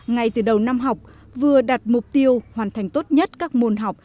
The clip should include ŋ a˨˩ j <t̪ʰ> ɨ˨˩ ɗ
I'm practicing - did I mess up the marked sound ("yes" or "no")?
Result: yes